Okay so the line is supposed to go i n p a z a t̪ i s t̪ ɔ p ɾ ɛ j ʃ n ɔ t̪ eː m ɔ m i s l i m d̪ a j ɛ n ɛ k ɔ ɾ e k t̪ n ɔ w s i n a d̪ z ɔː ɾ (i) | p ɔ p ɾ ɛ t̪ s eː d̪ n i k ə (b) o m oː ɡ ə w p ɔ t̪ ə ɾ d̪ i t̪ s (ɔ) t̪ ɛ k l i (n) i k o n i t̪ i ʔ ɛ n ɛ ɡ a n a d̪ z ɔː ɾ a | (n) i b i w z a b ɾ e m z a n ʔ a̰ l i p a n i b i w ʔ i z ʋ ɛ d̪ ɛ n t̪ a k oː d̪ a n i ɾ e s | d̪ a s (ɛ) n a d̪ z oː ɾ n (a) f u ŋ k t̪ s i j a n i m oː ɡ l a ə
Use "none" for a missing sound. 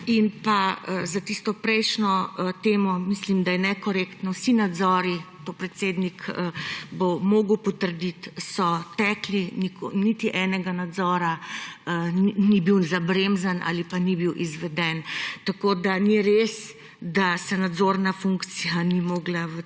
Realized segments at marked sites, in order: i, b, ɔ, n, n, ɛ, a

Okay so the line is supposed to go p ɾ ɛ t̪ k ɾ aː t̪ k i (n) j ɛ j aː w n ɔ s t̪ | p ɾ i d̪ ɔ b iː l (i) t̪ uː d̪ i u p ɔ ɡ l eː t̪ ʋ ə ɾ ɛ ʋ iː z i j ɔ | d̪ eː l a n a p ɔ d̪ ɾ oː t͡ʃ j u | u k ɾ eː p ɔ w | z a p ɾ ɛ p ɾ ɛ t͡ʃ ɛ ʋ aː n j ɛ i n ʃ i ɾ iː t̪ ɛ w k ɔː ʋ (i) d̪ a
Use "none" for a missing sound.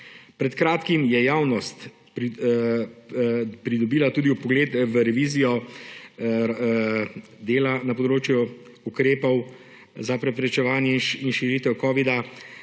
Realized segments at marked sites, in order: m, a, i

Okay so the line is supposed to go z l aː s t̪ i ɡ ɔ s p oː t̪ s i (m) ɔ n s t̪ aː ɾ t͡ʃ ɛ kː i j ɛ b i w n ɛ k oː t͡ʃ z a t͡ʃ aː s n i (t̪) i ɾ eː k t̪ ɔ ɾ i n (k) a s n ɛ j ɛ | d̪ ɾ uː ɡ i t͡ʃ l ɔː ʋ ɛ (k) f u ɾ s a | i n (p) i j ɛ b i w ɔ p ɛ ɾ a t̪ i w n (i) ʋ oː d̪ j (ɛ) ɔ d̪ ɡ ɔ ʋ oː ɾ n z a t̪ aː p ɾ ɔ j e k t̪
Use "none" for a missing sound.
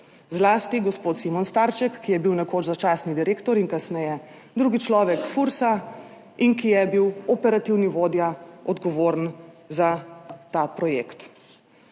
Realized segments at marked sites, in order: m, d̪, k, k, k, i, a

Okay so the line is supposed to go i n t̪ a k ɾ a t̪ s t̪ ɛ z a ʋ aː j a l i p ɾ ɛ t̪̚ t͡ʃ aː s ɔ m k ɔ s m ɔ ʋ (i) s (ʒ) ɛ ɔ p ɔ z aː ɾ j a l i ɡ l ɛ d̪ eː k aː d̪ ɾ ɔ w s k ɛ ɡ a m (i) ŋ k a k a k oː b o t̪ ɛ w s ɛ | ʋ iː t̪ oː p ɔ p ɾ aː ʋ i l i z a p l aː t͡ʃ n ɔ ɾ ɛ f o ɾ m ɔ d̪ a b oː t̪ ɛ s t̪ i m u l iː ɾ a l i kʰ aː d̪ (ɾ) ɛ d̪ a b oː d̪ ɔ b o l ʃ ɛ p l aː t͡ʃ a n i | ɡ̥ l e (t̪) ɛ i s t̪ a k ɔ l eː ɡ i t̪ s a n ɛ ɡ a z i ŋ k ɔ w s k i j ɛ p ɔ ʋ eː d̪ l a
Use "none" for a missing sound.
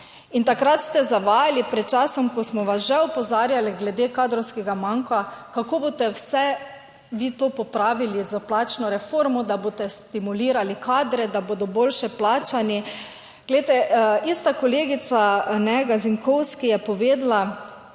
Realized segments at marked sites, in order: a, ʒ, a, ɾ, t̪

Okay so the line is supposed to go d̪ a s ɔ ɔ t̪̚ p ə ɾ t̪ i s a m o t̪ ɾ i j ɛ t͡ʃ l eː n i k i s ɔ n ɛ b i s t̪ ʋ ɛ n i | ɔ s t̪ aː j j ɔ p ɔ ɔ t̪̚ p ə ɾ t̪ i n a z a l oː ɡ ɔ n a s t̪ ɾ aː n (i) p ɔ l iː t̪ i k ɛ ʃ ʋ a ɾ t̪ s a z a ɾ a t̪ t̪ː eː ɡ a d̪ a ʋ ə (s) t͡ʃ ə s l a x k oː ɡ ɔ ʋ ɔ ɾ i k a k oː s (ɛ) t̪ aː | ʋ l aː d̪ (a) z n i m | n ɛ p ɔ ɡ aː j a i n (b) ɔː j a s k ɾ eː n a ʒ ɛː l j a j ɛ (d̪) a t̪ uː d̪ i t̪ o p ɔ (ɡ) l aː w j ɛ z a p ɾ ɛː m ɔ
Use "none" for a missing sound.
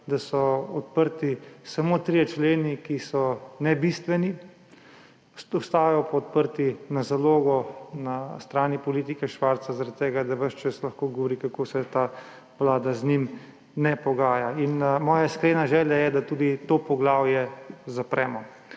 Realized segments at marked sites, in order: i, ʃ, ɛ, a, m, d̪, ɡ

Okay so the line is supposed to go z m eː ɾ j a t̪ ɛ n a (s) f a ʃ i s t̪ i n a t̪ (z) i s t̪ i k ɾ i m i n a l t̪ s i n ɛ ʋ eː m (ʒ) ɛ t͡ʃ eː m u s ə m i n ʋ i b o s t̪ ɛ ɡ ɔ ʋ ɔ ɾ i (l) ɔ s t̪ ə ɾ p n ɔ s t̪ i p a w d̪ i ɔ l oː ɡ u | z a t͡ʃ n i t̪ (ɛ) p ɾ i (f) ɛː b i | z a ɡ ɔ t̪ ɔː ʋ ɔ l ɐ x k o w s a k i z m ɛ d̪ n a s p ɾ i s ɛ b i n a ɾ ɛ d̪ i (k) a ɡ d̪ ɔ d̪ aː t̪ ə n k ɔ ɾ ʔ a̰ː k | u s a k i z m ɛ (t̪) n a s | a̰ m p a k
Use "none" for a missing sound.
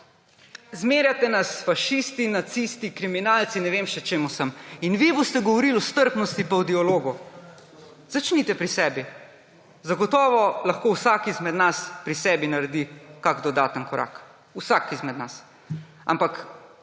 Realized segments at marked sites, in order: s, s, ʃ, l, ɛ, s, k, d̪

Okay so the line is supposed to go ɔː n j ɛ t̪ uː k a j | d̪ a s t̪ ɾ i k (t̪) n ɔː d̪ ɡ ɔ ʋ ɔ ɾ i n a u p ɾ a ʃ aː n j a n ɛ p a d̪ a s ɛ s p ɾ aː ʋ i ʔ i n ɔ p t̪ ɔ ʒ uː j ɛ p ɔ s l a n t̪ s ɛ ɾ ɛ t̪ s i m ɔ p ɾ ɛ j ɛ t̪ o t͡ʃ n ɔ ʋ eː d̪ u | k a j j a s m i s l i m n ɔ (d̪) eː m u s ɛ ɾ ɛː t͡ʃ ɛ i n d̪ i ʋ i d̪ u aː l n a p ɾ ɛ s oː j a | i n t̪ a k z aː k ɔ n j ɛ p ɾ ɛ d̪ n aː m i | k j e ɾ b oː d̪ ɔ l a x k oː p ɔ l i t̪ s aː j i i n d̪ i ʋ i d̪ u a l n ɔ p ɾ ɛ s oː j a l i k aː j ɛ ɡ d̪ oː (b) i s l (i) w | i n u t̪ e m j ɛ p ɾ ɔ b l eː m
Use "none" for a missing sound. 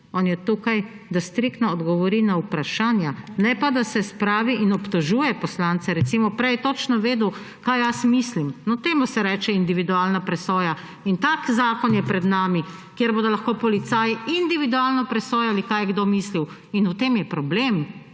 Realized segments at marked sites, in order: t̪, t̪, m, i

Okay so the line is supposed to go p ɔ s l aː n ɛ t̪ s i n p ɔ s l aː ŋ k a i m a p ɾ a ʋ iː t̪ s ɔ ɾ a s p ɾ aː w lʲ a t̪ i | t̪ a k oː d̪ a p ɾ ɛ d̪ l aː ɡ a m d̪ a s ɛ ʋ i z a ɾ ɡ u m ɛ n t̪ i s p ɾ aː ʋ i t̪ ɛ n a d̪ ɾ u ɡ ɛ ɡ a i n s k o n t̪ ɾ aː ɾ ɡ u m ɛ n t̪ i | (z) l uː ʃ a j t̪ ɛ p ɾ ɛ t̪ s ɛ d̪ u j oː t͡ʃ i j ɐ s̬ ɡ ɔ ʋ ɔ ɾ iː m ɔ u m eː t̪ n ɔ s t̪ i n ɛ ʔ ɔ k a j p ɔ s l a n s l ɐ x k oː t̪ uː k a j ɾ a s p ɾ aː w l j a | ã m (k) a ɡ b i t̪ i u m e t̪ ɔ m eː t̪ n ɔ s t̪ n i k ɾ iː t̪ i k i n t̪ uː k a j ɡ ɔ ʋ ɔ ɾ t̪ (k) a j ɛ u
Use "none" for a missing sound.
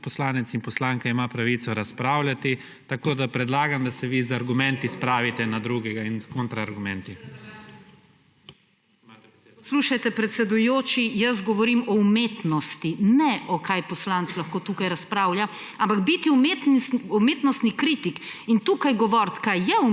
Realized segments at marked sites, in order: s, p, k

